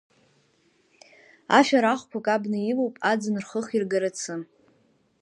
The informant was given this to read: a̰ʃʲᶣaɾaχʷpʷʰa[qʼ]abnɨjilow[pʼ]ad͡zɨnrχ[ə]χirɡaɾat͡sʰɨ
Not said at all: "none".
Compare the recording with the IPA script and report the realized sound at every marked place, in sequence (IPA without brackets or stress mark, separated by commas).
kʼ, pʼ, ə